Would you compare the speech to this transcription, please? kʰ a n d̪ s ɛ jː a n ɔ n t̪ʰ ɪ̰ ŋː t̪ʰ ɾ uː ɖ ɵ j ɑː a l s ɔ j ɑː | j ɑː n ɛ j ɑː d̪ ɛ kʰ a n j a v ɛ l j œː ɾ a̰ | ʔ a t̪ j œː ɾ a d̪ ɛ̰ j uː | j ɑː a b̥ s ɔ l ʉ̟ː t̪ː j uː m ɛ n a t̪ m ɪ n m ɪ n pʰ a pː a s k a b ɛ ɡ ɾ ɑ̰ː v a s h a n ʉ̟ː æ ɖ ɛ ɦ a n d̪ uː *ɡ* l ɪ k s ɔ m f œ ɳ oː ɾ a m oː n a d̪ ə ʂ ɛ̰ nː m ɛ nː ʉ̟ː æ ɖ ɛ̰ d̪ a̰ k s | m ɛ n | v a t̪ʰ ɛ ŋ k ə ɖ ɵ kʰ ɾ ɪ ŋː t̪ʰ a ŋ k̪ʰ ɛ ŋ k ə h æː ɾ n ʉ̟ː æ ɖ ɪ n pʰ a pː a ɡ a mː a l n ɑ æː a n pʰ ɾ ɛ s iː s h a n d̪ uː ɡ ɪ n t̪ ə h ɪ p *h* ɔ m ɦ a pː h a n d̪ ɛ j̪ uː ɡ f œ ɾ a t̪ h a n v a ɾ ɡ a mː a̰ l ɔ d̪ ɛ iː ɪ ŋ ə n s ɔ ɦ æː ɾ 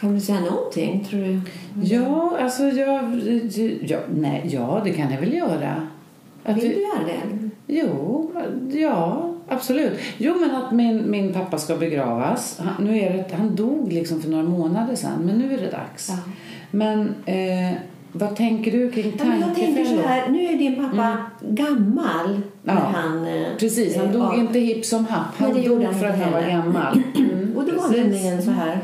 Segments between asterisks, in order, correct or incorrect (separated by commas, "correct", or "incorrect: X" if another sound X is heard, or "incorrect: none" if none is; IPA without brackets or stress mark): correct, incorrect: s